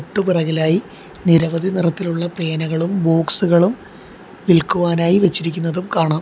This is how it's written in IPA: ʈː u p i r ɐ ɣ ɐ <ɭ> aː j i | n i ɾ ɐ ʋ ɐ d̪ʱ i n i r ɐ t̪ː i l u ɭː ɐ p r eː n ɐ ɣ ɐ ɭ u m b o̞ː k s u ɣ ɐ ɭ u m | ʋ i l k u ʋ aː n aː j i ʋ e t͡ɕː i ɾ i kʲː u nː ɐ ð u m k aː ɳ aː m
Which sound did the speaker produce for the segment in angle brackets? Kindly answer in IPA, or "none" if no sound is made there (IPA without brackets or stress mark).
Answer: l